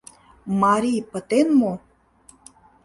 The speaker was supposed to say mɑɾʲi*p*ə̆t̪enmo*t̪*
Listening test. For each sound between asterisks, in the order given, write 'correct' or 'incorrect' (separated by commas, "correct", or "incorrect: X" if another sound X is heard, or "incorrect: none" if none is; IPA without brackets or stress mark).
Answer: correct, incorrect: none